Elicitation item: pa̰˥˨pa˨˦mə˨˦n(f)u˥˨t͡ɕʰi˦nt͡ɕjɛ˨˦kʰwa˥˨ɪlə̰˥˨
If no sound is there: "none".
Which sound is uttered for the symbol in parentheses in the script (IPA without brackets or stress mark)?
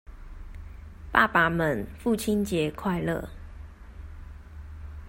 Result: f